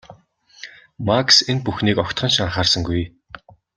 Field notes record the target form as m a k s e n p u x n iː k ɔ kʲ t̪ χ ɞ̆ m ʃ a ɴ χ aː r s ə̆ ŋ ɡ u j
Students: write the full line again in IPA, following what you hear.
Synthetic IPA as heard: m a k s e n p u x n iː k ɔ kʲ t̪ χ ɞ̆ n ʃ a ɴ χ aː r s ə̆ ŋ ɡ u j